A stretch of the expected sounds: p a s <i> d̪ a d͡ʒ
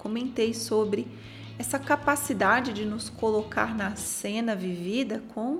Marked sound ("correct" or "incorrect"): correct